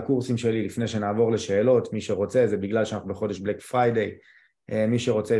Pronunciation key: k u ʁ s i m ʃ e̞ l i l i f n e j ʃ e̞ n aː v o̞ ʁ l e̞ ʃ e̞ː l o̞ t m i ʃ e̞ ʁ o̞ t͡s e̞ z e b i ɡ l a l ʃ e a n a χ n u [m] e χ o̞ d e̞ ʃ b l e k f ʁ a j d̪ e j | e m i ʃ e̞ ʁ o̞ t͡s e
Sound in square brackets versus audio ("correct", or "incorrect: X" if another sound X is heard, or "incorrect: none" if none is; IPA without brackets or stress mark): incorrect: b